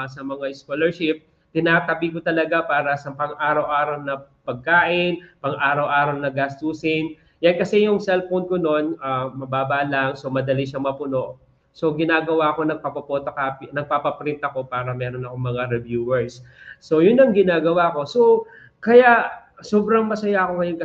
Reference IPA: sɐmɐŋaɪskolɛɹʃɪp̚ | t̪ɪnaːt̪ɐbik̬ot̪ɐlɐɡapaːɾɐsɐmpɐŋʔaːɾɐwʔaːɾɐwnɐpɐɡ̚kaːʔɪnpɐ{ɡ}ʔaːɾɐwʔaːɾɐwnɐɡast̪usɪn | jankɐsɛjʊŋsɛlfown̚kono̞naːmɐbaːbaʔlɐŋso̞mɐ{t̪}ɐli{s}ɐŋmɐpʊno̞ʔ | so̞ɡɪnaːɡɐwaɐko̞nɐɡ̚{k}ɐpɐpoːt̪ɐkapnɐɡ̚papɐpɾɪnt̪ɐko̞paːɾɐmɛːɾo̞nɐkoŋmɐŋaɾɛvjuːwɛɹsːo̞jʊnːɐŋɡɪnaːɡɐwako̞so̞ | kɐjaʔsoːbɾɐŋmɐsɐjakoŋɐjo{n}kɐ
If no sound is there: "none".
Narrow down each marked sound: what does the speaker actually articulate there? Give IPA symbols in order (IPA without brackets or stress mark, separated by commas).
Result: ŋ, d̪, ʃ, p, n